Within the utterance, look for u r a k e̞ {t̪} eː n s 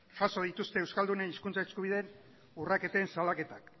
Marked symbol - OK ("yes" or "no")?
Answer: yes